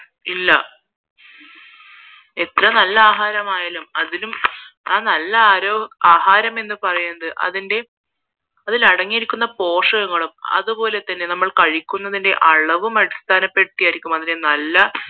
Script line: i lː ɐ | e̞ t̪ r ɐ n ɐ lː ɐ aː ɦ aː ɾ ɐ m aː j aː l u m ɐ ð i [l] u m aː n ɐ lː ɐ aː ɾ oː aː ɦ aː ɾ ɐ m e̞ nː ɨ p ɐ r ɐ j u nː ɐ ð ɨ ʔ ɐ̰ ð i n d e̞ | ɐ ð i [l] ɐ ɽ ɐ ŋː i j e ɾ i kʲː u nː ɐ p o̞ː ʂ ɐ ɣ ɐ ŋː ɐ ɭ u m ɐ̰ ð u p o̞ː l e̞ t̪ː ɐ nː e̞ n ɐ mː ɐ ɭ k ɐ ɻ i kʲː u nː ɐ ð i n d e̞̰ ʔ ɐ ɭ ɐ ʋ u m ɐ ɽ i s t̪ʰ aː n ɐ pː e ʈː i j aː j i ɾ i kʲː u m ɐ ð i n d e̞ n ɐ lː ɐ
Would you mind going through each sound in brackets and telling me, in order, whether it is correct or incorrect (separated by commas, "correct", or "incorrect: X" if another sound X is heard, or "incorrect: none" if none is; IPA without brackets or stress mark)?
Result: correct, correct